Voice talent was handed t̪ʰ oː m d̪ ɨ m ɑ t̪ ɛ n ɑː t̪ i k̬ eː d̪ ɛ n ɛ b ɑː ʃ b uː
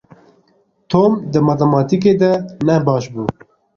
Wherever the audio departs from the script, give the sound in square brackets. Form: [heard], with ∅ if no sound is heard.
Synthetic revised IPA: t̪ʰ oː m d̪ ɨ m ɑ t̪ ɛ [m] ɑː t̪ i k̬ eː d̪ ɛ n ɛ b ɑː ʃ b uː